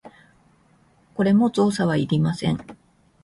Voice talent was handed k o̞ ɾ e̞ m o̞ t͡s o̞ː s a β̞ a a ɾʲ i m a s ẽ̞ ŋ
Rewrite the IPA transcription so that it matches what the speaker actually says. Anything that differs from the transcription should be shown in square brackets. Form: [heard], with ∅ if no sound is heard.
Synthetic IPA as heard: k o̞ ɾ e̞ m o̞ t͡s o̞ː s a β̞ a [i] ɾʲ i m a s ẽ̞ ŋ